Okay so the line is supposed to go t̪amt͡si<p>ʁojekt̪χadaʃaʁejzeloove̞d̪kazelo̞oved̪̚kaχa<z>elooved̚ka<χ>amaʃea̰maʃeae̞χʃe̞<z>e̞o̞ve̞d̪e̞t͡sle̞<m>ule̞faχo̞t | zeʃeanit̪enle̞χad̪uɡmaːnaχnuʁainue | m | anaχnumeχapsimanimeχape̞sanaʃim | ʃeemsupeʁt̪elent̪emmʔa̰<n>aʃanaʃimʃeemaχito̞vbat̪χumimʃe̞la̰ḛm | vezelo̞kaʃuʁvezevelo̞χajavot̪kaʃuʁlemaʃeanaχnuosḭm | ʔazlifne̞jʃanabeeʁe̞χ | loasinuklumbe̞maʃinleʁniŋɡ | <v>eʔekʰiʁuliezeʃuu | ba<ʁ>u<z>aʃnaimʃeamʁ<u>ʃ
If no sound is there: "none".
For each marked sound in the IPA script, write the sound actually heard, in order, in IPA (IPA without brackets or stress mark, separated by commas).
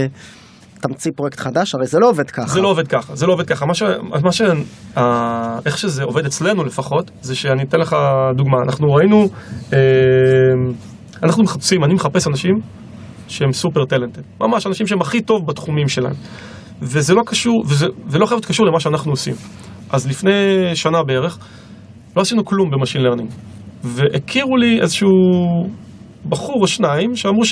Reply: p, z, χ, z, n, m, v, χ, ʁ, u